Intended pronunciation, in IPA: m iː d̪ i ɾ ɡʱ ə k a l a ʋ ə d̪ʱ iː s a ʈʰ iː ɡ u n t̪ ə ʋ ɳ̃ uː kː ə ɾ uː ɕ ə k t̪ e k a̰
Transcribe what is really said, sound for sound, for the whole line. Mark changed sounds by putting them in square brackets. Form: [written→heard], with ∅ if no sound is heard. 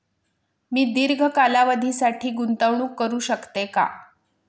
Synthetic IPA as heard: m iː d̪ i ɾ ɡʱ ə k a l a ʋ ə d̪ʱ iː s a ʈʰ iː ɡ u n t̪ ə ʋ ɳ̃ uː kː ə ɾ uː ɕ ə k t̪ e k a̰